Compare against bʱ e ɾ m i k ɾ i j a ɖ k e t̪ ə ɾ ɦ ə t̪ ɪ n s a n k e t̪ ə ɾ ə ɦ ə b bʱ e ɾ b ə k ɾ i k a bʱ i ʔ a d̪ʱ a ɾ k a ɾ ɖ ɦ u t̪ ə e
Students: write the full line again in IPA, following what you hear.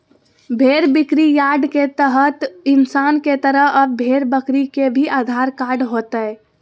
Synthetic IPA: bʱ e ɾ b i k ɾ i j a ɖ k e t̪ ə ɦ ə t̪ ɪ n s a n k e t̪ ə ɾ ə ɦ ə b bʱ e ɾ b ə k ɾ i k e bʱ i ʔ a d̪ʱ a ɾ k a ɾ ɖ ɦ o t̪ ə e